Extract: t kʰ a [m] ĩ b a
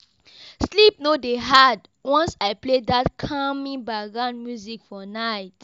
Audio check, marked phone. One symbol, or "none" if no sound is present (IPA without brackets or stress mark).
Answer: m